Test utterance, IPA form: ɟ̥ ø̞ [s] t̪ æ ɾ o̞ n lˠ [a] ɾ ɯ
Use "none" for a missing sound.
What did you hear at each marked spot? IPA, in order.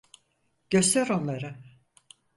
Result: s, a

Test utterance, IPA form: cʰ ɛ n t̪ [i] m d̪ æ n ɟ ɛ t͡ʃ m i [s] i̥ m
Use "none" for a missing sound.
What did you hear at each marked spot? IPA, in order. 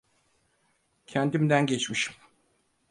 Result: i, ʃ

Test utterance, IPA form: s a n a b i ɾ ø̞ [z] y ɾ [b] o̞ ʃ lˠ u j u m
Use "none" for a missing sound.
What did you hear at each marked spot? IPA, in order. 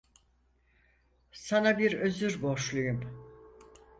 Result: z, b

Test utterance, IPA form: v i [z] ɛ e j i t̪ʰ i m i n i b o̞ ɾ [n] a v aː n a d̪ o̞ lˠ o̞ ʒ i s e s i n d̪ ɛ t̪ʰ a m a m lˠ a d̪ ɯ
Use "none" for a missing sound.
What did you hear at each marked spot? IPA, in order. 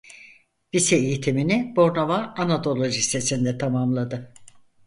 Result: s, n

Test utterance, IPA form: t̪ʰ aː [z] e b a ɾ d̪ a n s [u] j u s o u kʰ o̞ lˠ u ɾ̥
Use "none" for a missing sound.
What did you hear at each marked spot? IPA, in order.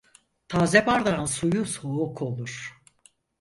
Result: z, u

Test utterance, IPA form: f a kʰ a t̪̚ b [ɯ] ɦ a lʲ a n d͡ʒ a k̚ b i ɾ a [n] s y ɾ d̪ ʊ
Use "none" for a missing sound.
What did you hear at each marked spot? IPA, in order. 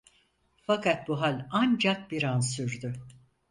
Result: u, n

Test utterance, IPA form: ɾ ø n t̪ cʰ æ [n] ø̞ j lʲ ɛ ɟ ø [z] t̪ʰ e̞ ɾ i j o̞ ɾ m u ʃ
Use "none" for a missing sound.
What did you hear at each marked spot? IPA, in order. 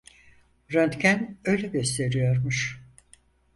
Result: n, s

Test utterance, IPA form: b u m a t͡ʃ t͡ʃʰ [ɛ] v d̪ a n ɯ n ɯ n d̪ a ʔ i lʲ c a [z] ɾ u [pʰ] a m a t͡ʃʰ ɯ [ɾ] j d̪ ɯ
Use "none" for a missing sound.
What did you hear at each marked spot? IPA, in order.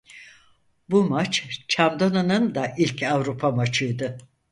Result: a, v, pʰ, none

